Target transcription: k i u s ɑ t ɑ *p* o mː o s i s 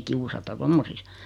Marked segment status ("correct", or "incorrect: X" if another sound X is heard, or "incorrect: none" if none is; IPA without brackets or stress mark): incorrect: t